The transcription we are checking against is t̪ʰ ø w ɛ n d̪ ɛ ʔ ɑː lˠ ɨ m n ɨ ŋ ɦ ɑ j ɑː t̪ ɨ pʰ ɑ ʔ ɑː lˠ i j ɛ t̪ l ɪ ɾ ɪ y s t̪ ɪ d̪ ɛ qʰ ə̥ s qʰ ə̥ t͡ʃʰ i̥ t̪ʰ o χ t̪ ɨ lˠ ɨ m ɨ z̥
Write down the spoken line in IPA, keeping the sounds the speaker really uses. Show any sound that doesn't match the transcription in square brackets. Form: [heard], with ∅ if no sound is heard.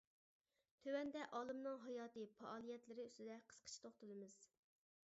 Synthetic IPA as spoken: t̪ʰ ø w ɛ n d̪ ɛ ʔ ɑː lˠ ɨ m n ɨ ŋ ɦ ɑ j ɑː t̪ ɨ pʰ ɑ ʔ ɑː lˠ i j ɛ t̪ l ɪ ɾ ɪ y s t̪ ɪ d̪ ɛ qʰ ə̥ s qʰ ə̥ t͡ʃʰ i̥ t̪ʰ o χ t̪ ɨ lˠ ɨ m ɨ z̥

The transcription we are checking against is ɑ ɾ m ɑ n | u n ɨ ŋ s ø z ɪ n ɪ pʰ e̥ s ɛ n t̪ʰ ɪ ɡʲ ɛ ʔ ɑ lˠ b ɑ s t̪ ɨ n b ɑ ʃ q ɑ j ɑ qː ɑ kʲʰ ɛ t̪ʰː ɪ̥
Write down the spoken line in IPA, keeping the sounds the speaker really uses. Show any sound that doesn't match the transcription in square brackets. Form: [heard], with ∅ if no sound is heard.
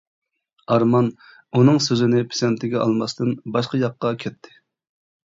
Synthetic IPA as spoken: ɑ ɾ m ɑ n | u n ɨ ŋ s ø z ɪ n ɪ pʰ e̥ s ɛ n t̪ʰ ɪ ɡʲ ɛ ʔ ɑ lˠ [m] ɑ s t̪ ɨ n b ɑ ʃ q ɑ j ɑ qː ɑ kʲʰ ɛ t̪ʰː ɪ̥

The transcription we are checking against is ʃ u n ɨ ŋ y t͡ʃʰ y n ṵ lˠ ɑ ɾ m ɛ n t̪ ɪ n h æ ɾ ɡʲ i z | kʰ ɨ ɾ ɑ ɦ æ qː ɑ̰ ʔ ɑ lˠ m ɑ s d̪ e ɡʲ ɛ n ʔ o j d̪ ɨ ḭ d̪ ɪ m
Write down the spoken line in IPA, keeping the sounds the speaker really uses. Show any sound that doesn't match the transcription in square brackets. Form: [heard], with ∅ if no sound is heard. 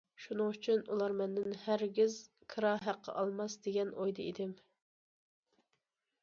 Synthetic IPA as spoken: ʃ u n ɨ ŋ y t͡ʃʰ y n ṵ lˠ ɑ ɾ m ɛ n [d̪] ɪ n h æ ɾ ɡʲ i z | kʰ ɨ ɾ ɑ ɦ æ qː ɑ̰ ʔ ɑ lˠ m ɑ s d̪ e ɡʲ ɛ n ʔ o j d̪ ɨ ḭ d̪ ɪ m

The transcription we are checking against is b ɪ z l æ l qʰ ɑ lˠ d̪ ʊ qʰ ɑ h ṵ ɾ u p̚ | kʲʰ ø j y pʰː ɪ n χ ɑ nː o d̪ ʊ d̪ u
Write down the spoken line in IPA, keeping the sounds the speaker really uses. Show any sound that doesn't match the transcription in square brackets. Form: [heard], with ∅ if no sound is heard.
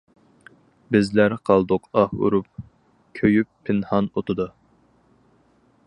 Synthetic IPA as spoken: b ɪ z l æ [ɾ] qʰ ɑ lˠ d̪ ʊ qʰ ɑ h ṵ ɾ u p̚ | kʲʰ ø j y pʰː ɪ n [h] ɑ [n] o [t̪] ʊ d̪ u

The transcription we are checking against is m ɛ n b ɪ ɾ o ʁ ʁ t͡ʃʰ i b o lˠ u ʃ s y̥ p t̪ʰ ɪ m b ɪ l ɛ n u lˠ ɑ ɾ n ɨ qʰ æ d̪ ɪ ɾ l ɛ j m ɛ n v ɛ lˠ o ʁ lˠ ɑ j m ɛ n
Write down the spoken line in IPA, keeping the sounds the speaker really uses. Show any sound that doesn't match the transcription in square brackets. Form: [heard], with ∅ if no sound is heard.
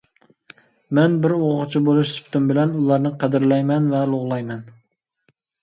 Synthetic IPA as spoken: m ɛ n b ɪ ɾ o ʁ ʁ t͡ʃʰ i b o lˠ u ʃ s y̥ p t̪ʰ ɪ m b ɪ l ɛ n u lˠ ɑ ɾ n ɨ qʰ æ d̪ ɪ ɾ l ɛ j m ɛ n v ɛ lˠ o ʁ lˠ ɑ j m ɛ n

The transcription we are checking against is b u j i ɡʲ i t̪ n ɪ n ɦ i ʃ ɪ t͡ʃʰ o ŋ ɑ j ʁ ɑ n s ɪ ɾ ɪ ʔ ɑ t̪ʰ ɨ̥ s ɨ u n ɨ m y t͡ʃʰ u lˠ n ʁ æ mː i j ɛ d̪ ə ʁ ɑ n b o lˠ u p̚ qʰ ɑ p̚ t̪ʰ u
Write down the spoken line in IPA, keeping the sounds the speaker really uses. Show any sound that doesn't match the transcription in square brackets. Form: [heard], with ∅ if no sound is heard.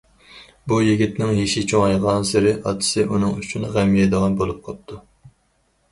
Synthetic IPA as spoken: b u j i ɡʲ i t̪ n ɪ [ŋ] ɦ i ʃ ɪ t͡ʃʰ o ŋ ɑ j ʁ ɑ n s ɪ ɾ ɪ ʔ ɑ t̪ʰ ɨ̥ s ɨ u n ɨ [ŋ] y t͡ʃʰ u [∅] n ʁ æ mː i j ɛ d̪ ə ʁ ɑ n b o lˠ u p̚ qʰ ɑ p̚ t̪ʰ u

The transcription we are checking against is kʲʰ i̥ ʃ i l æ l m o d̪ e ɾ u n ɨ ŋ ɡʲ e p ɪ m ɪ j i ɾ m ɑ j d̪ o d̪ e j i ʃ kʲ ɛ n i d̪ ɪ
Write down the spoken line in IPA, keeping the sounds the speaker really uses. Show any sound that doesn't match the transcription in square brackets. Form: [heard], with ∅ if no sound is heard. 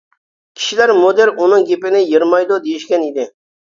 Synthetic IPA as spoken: kʲʰ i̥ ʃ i l æ [ɾ] m o d̪ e ɾ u n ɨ ŋ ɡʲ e p ɪ [n] ɪ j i ɾ m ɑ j d̪ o d̪ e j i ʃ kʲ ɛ n i d̪ ɪ

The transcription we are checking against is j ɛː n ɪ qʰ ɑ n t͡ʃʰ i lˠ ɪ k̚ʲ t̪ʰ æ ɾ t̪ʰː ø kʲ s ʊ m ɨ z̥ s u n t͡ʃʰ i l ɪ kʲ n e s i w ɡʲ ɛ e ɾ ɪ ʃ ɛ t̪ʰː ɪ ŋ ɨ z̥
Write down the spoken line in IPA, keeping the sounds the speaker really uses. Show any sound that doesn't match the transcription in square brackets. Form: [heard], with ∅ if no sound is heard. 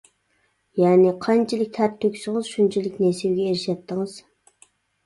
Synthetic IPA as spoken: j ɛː n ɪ qʰ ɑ n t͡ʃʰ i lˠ ɪ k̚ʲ t̪ʰ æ ɾ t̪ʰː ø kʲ s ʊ [ŋ] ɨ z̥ [ʃ] u n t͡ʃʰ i l ɪ kʲ n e s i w ɡʲ ɛ e ɾ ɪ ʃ ɛ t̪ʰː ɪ ŋ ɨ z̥

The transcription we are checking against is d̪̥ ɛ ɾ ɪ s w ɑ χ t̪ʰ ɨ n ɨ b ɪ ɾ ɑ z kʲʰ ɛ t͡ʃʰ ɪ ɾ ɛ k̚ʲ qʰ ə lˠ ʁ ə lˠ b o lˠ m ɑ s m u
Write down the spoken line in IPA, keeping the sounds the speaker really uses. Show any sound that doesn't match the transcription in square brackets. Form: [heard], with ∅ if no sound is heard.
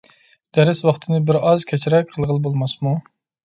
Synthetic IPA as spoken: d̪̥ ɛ ɾ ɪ s w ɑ χ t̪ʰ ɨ n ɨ b ɪ ɾ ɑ z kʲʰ ɛ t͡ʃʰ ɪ ɾ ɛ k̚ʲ qʰ ə lˠ ʁ ə lˠ b o lˠ m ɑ s m u

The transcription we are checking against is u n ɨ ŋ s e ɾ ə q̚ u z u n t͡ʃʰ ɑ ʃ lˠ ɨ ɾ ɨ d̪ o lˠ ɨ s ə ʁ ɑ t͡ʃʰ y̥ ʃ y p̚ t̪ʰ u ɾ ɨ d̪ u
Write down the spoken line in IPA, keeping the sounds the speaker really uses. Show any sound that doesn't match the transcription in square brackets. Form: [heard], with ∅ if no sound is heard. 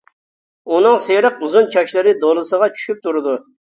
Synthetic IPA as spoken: u n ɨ ŋ s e ɾ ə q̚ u z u n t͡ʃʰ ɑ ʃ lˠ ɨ ɾ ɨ d̪ o lˠ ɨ s ə ʁ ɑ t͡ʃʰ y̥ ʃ y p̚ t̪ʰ u ɾ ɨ d̪ u

